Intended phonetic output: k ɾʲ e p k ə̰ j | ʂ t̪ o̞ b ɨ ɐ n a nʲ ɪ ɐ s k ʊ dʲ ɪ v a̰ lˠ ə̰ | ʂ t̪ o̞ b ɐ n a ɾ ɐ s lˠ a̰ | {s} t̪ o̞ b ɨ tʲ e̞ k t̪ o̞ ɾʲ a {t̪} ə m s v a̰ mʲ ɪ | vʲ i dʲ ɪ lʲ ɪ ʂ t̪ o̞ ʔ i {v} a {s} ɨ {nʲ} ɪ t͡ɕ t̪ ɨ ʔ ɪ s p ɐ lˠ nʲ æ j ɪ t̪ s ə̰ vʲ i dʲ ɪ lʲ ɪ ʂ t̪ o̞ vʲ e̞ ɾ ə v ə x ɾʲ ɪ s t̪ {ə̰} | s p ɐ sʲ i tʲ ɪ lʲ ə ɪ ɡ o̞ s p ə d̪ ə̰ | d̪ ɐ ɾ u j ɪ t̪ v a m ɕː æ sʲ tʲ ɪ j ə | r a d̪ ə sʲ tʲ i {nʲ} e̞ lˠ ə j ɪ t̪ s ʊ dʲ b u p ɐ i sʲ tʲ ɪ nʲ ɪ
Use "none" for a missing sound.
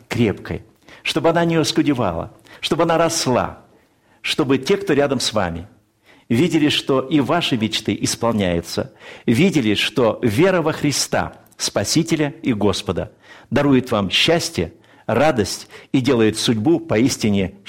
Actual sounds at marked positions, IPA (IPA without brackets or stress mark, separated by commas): ʂ, d̪, v, ʂ, mʲ, a̰, dʲ